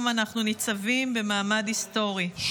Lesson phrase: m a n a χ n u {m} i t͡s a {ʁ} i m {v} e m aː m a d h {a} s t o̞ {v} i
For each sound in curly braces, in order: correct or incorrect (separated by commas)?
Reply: incorrect, incorrect, incorrect, incorrect, incorrect